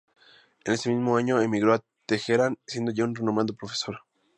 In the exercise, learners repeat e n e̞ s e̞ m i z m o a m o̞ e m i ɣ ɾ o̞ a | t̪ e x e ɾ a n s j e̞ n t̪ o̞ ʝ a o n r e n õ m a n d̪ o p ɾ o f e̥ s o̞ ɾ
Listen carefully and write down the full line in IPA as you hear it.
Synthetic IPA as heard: e n e̞ s e̞ m i z m o a ɲ o̞ e m i ɣ ɾ o̞ a | t̪ e x e ɾ a n s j e̞ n d̪ o̞ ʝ a u n r e n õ m a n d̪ o p ɾ o f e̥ s o̞ ɾ